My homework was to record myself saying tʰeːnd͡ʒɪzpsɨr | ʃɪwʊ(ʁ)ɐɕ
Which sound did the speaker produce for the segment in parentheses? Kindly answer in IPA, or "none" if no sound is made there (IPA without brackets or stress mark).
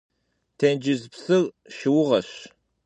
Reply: ʁ